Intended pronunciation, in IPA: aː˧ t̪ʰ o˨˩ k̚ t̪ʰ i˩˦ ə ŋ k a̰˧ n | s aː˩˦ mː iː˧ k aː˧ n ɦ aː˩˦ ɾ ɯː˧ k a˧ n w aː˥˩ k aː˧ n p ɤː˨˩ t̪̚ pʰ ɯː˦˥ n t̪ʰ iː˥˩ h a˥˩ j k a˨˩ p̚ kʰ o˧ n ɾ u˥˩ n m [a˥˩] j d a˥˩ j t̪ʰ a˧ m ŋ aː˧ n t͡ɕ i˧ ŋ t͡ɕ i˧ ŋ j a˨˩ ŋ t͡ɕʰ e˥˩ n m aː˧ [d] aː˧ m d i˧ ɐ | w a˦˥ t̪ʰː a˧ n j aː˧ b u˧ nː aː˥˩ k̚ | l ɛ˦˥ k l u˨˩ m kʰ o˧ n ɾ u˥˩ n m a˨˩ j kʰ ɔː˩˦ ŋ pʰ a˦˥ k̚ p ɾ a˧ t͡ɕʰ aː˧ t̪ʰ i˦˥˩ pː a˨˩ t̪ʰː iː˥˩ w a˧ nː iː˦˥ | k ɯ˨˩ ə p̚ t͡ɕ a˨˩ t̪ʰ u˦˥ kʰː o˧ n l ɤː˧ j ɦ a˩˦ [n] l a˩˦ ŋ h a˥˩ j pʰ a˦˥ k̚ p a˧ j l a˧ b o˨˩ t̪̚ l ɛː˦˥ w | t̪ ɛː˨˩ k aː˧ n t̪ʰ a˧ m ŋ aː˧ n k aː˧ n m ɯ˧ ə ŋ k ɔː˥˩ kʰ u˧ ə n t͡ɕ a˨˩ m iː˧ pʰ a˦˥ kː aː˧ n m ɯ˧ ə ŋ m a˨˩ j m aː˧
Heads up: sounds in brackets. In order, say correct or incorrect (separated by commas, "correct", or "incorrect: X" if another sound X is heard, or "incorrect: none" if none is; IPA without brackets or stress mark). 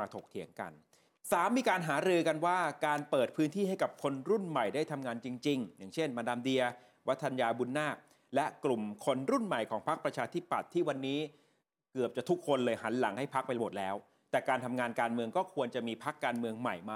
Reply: incorrect: a˨˩, correct, correct